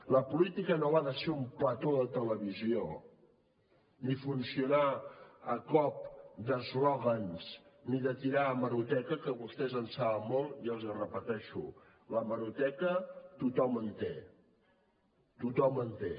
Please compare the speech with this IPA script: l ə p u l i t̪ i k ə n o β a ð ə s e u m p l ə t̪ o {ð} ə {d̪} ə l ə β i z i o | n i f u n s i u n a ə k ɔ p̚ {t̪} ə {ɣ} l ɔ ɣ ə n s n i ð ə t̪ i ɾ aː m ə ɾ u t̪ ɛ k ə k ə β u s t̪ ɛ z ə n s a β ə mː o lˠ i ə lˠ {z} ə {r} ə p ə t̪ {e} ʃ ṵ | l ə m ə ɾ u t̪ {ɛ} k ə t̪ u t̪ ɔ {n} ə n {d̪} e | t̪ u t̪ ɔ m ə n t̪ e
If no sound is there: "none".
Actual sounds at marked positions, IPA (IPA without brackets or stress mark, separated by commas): ð, t̪, d̪, z, z, r, ɛ, ɛ, m, t̪